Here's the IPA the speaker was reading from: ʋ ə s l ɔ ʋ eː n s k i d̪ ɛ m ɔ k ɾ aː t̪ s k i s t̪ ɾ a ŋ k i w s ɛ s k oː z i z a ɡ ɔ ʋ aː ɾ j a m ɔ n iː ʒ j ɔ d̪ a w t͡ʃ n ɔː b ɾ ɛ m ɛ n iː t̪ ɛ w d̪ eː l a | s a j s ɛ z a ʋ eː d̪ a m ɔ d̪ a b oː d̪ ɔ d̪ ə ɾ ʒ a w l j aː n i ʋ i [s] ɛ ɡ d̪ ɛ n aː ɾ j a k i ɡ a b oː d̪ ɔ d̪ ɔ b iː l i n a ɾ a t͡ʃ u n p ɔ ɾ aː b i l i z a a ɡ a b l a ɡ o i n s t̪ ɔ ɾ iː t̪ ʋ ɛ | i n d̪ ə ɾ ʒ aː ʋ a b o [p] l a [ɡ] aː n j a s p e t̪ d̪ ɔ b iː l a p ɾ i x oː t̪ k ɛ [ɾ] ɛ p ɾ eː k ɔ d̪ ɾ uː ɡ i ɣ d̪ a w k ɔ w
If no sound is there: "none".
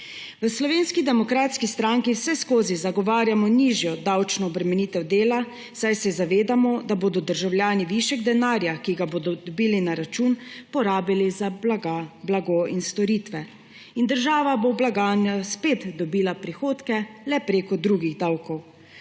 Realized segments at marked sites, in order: ʃ, b, ɡ, l

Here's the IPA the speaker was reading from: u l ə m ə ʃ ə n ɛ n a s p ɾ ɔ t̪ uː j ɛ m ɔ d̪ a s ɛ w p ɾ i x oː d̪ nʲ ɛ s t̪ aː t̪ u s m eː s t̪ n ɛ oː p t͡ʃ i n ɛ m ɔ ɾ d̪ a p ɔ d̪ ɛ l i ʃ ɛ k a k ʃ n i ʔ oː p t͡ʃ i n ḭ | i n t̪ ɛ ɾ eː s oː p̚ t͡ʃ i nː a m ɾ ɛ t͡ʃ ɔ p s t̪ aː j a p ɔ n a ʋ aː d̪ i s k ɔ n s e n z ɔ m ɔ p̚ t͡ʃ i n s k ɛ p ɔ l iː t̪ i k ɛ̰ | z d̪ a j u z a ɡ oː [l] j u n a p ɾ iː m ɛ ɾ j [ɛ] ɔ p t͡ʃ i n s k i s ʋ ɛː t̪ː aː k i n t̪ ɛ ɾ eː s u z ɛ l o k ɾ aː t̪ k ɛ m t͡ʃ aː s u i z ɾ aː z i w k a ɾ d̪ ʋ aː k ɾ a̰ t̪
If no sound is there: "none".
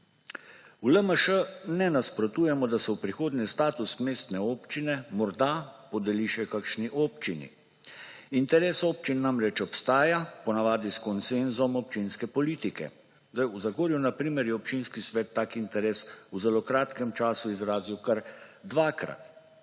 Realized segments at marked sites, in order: ɾ, ɛ

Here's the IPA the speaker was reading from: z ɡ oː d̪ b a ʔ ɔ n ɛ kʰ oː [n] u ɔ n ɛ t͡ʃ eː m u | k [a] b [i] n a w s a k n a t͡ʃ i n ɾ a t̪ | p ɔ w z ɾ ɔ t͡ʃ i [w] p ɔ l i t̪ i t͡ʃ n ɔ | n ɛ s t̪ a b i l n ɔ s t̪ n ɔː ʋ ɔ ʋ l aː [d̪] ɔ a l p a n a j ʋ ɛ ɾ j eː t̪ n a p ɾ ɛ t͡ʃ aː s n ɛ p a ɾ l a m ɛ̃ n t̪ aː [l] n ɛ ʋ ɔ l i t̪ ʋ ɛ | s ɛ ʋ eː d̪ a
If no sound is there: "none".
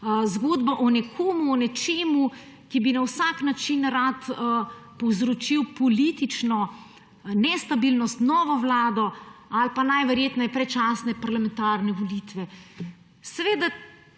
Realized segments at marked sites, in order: m, i, i, w, d̪, ɾ

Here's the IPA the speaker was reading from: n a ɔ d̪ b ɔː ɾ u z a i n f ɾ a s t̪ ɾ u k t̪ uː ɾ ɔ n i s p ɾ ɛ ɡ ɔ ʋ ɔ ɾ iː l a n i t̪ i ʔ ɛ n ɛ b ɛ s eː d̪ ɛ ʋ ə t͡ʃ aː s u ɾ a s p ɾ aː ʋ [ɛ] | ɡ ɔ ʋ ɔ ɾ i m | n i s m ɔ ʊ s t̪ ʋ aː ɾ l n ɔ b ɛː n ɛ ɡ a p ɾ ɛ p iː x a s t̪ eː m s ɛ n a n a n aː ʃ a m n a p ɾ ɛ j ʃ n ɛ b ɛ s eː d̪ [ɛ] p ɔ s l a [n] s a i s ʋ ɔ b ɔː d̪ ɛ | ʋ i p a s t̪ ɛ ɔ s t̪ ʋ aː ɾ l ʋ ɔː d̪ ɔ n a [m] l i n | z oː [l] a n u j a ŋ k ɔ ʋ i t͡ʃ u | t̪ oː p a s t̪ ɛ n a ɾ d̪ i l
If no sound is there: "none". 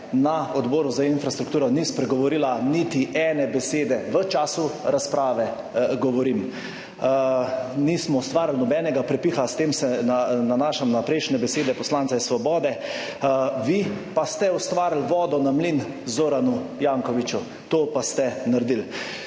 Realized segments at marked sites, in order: ɛ, ɛ, n, m, ɾ

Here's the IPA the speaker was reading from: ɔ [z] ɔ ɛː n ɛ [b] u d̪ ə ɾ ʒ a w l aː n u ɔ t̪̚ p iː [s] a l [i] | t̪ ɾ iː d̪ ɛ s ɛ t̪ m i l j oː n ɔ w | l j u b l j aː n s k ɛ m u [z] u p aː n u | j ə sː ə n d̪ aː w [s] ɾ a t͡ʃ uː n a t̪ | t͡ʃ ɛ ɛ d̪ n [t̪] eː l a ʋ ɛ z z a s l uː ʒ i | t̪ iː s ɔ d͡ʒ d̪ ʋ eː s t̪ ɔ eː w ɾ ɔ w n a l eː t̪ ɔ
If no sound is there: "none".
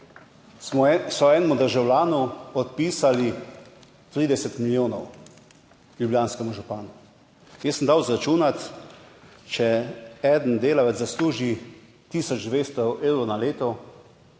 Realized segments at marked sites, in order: s, m, s, i, ʒ, z, d̪

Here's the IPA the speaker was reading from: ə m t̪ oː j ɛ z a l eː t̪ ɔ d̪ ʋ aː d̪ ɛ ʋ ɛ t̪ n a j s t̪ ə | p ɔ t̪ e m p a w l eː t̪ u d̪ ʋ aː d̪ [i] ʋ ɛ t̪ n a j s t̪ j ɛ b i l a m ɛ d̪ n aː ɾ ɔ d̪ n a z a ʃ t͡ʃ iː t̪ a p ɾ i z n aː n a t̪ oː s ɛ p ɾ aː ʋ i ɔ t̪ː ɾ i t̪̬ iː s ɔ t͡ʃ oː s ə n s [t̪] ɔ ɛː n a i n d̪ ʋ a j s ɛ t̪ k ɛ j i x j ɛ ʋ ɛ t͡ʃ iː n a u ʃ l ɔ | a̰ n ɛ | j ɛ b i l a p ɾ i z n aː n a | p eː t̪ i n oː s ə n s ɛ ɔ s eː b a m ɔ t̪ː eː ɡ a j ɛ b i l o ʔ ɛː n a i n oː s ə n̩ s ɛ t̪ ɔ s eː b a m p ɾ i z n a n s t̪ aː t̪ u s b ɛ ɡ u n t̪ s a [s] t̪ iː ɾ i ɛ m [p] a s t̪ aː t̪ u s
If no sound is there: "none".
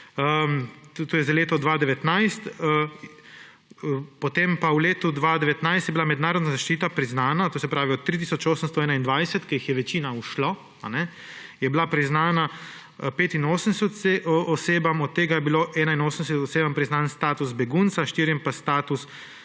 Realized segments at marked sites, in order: ɛ, t̪, ʃ, p

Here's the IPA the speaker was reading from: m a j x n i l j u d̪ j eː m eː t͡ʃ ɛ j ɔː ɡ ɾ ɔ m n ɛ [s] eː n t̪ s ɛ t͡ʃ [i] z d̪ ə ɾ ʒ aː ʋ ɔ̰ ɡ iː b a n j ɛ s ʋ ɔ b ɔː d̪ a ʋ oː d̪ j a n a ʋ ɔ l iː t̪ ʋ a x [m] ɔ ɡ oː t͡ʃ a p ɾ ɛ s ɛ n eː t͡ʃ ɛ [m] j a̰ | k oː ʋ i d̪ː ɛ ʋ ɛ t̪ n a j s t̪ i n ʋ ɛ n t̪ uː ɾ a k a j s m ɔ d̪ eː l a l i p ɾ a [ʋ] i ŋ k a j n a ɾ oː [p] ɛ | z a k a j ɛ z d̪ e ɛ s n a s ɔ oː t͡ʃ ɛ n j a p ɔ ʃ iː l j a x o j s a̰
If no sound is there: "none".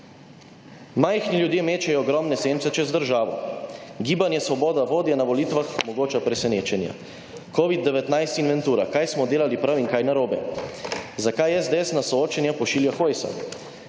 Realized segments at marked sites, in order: s, ɛ, m, n, w, b

